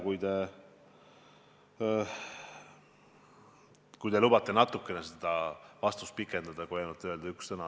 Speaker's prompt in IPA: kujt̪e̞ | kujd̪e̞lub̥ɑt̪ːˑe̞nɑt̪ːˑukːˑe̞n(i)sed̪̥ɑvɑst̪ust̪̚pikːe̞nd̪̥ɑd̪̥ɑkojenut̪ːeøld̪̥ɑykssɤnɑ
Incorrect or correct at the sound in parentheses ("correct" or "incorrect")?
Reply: incorrect